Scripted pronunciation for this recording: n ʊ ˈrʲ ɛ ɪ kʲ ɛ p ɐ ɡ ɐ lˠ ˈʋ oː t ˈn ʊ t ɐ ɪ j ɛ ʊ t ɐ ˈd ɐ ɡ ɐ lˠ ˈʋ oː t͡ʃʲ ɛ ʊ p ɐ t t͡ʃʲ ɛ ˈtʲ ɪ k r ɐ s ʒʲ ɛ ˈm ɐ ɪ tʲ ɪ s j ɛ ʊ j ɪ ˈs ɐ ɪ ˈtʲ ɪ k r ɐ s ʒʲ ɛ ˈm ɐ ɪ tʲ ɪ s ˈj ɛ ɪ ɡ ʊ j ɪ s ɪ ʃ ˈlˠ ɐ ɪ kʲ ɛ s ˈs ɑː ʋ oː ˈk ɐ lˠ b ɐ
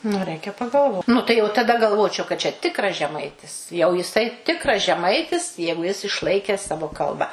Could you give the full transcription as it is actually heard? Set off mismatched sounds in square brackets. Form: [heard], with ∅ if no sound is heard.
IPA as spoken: n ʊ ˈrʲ ɛ ɪ kʲ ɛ p ɐ ɡ ɐ lˠ ˈʋ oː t ˈn ʊ t ɐ ɪ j ɛ ʊ t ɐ ˈd ɐ ɡ ɐ lˠ ˈʋ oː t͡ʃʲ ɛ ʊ [k] ɐ t t͡ʃʲ ɛ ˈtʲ ɪ k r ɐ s ʒʲ ɛ ˈm ɐ ɪ tʲ ɪ s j ɛ ʊ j ɪ ˈs ɐ ɪ ˈtʲ ɪ k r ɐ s ʒʲ ɛ ˈm ɐ ɪ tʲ ɪ s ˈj ɛ ɪ ɡ ʊ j ɪ s ɪ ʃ ˈlˠ ɐ ɪ kʲ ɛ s ˈs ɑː ʋ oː ˈk ɐ lˠ b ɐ